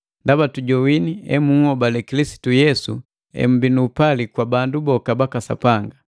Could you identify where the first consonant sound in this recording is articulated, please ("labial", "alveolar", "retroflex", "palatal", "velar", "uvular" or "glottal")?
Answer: alveolar